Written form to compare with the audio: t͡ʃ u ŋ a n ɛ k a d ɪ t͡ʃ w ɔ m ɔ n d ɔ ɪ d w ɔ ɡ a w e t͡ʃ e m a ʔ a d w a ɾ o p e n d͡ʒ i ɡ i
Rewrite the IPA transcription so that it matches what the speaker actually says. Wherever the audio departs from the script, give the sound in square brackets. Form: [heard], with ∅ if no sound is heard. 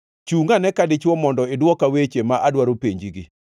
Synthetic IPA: t͡ʃ u ŋ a n ɛ k a d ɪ t͡ʃ w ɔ m ɔ n d ɔ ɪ d w ɔ [k] a w e t͡ʃ e m a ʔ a d w a ɾ o p e [ɲ] d͡ʒ i ɡ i